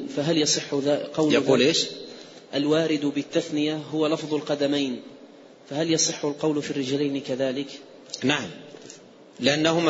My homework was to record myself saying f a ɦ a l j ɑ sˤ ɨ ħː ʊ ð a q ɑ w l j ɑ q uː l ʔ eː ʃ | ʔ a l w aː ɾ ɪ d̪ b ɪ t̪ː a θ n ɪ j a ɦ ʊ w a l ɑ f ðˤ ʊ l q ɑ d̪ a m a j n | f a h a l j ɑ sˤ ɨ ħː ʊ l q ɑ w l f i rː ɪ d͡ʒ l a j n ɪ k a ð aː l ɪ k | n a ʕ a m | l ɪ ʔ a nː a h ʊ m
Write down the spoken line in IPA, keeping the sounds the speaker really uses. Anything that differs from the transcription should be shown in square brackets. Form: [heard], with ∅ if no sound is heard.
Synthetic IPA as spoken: f a ɦ a l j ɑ sˤ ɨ ħː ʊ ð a q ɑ w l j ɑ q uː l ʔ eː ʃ | ʔ a l w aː ɾ ɪ d̪ b ɪ t̪ː a θ n ɪ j a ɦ ʊ w a l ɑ f ðˤ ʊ l q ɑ d̪ a m a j n | f a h a l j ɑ sˤ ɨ ħː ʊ l q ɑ w l f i rː ɪ d͡ʒ l a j n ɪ k a ð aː l ɪ k | n a ʕ a m | l ɪ ʔ a nː a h ʊ m